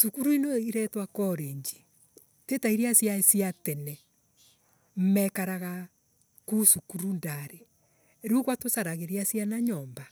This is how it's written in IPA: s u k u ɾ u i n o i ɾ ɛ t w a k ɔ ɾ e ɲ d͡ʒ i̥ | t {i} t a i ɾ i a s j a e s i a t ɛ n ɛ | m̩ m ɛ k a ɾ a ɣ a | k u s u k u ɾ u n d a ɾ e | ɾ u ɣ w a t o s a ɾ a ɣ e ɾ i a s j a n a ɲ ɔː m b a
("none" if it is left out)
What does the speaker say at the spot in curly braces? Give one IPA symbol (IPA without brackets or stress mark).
e